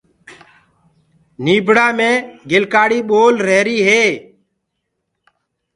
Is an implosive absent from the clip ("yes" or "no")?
no